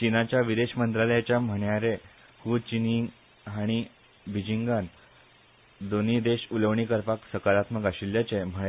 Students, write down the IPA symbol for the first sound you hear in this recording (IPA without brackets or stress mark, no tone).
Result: t͡ɕ